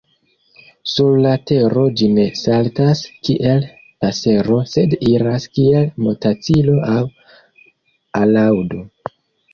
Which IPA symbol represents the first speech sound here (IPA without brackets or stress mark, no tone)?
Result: s